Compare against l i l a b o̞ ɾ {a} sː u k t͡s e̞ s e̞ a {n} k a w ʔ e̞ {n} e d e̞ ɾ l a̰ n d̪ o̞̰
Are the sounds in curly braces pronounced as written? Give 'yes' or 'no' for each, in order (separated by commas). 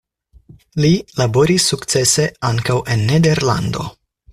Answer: no, no, no